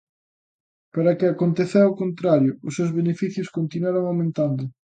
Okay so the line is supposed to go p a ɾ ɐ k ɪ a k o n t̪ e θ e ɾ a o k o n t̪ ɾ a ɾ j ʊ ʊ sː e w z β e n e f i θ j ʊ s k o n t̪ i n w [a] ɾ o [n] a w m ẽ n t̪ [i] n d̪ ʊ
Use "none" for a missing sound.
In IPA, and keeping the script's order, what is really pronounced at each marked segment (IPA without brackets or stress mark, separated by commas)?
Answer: a, ŋ, a